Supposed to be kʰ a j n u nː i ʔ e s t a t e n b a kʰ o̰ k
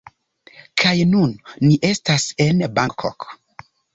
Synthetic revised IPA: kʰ a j n u nː i ʔ e s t a s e n b a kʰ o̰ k

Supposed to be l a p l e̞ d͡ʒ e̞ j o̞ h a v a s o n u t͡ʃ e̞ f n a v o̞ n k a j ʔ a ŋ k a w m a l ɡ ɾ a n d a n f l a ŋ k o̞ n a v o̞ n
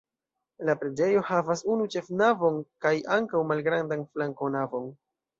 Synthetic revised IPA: l a p ɾ e̞ d͡ʒ e̞ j o̞ h a v a s u n u t͡ʃ e̞ f n a v o̞ n k a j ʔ a ŋ k a w m a l ɡ ɾ a n d a n f l a ŋ k o̞ n a v o̞ n

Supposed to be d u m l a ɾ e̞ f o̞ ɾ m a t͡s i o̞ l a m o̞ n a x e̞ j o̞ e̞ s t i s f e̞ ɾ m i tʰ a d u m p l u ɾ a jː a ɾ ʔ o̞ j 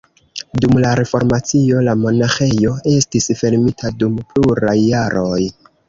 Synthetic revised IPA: d u m l a ɾ e̞ f o̞ ɾ m a t͡s i o̞ l a m o̞ n a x e̞ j o̞ e̞ s t i s f e̞ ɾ m i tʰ a d u m p l u ɾ a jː a ɾ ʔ o̞ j

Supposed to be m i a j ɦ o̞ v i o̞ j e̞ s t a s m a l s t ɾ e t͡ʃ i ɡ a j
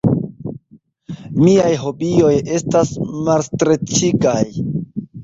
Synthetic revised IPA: m i a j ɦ o̞ b i o̞ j e̞ s t a s m a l s t ɾ e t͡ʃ i ɡ a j

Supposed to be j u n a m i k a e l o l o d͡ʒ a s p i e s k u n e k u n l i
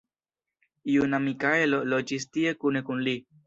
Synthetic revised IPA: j u n a m i k a e l o l o d͡ʒ i s t i e k u n e k u n l i

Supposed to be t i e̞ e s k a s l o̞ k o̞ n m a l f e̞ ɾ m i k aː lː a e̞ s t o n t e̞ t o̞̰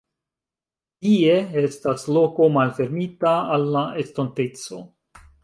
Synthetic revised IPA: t i e̞ e s t a s l o̞ k o̞ m a l f e̞ ɾ m i t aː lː a e̞ s t o n t e̞ t͡s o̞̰

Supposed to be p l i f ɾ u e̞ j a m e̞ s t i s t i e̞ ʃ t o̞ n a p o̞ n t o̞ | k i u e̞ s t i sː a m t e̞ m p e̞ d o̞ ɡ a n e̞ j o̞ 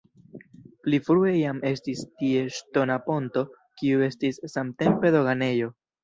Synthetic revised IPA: p l i f ɾ u e̞ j a m e̞ s t i s t i e̞ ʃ t o̞ n a p o̞ n t o̞ | k i u e̞ s t i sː a m t e̞ m p e̞ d o̞ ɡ a n e̞ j o̞

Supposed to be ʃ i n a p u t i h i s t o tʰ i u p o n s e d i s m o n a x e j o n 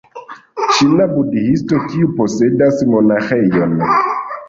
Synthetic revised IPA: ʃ i n a b u d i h i s t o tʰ i u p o s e d a s m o n a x e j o n

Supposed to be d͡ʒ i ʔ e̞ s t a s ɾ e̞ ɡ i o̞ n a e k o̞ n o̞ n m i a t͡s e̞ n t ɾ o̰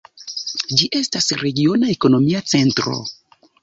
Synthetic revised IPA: d͡ʒ i ʔ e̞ s t a s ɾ e̞ ɡ i o̞ n a e k o̞ n o̞ m i a t͡s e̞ n t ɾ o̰

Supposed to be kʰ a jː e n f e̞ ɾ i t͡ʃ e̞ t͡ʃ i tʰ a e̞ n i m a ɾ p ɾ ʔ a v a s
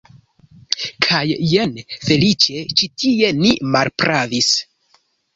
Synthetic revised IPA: kʰ a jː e n f e̞ l i t͡ʃ e̞ t͡ʃ i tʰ i e̞ n i m a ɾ p ɾ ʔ a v i s

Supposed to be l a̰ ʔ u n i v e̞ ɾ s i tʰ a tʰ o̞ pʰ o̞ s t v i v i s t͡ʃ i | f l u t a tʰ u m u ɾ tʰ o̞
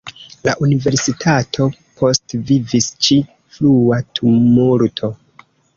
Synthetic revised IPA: l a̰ ʔ u n i v e̞ ɾ s i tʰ a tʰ o̞ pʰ o̞ s t v i v i s t͡ʃ i | f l u a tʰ u m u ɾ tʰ o̞

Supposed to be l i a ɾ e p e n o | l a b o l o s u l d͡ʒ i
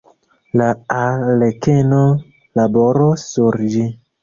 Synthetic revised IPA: l a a l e k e n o | l a b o ɾ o s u ɾ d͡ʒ i

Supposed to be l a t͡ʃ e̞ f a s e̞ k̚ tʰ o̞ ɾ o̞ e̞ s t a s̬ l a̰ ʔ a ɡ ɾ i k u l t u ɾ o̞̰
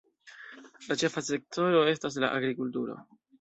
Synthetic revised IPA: l a t͡ʃ e̞ f a s e̞ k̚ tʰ o̞ ɾ o̞ e̞ s t a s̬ l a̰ ʔ a ɡ ɾ i k u l t u ɾ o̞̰

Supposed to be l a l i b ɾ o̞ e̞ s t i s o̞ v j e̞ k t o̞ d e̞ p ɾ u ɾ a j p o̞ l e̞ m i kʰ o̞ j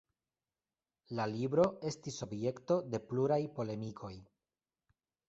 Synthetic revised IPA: l a l i b ɾ o̞ e̞ s t i s o̞ b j e̞ k t o̞ d e̞ p l u ɾ a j p o̞ l e̞ m i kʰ o̞ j

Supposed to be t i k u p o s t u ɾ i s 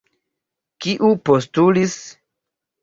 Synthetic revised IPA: k i ʔ u p o s t u l i s

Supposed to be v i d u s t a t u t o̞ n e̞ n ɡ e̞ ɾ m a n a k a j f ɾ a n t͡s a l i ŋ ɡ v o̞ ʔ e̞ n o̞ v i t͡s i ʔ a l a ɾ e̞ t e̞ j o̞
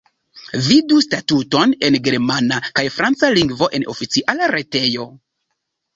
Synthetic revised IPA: v i d u s t a t u t o̞ n e̞ n ɡ e̞ ɾ m a n a k a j f ɾ a n t͡s a l i ŋ ɡ v o̞ ʔ e̞ n o̞ f i t͡s i ʔ a l a ɾ e̞ t e̞ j o̞

